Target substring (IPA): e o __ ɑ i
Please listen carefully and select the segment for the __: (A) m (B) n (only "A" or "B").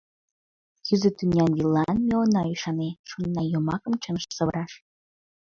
B